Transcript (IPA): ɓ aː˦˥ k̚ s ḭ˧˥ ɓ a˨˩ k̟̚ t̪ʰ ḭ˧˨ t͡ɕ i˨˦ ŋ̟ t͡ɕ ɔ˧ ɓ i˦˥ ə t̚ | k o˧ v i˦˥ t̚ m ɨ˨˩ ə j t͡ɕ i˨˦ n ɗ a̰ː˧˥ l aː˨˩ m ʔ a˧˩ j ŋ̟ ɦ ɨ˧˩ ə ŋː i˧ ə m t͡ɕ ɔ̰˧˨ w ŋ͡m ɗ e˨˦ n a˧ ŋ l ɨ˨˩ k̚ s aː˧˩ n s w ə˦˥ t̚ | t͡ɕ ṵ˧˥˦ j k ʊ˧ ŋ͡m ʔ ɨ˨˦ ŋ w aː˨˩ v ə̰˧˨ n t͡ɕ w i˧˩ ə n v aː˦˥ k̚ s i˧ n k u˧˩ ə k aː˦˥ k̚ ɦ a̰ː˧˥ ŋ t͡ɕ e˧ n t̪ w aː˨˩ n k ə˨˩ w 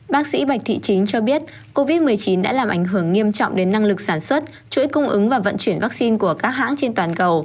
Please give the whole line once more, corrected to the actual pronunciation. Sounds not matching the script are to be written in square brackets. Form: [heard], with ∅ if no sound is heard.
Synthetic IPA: ɓ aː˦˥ k̚ s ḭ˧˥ ɓ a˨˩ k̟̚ t̪ʰ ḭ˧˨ t͡ɕ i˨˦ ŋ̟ t͡ɕ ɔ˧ ɓ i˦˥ ə t̚ | k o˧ v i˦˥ t̚ m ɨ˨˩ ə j t͡ɕ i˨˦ n ɗ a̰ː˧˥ l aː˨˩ m ʔ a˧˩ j ŋ̟ ɦ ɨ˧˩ ə ŋː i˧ ə m t͡ɕ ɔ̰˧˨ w ŋ͡m ɗ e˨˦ [nː] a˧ ŋ l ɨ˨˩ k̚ s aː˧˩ n s w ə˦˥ t̚ | t͡ɕ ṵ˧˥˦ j k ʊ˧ ŋ͡m ʔ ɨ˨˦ ŋ [v] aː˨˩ v ə̰˧˨ n t͡ɕ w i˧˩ ə n v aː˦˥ k̚ s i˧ n k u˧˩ ə k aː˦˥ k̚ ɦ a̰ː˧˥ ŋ t͡ɕ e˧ n t̪ w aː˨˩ n k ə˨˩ w